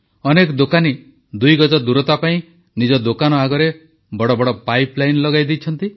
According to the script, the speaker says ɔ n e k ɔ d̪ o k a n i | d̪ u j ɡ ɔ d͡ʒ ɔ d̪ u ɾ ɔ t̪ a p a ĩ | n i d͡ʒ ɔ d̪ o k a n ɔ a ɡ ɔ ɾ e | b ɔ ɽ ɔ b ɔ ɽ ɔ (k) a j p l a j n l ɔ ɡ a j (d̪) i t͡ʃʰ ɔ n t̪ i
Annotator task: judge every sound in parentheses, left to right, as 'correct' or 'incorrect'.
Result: incorrect: p, correct

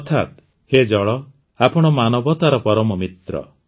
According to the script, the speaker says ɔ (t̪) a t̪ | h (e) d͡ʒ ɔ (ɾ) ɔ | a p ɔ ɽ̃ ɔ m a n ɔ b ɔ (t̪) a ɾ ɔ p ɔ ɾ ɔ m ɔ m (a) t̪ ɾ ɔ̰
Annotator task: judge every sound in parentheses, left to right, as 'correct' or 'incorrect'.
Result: incorrect: t̪ʰ, correct, incorrect: ɭ, correct, incorrect: i

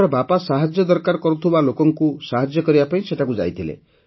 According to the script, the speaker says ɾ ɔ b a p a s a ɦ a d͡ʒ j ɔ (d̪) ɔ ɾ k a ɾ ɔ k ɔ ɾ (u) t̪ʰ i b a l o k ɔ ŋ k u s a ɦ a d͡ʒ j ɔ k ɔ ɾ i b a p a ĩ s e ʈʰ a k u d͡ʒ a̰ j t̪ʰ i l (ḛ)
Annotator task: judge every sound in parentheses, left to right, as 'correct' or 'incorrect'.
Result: correct, correct, correct

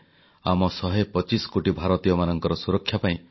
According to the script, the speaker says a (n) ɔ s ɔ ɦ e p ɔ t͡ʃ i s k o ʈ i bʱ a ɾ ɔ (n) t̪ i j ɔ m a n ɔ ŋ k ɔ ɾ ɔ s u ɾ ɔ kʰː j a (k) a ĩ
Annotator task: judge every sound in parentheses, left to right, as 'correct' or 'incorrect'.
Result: incorrect: m, incorrect: none, incorrect: p

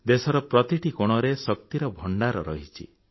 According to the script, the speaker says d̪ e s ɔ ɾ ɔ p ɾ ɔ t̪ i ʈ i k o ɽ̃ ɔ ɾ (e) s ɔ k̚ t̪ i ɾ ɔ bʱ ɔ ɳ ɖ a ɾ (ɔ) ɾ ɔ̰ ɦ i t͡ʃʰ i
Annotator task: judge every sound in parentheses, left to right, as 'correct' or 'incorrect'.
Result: correct, correct

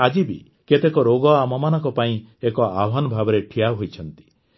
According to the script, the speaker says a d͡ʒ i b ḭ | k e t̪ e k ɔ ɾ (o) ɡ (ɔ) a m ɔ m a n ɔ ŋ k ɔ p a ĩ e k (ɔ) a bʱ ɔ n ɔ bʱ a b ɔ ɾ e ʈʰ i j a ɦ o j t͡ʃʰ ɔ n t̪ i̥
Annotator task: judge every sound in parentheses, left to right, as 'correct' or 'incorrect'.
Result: correct, correct, correct

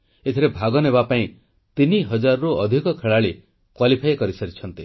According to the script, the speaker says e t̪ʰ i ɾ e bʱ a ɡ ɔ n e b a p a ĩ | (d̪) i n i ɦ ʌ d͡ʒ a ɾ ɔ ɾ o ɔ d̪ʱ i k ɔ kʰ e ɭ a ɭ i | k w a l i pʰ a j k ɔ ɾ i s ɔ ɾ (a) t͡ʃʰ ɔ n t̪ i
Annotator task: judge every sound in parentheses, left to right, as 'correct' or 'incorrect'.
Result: incorrect: t̪, incorrect: i

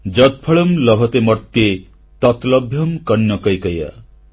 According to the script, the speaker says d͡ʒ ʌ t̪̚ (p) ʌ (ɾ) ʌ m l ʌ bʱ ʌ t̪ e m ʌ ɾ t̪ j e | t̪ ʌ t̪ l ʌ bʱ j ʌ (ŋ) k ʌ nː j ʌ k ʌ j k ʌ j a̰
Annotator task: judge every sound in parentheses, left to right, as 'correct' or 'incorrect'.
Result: incorrect: pʰ, incorrect: ɭ, incorrect: m

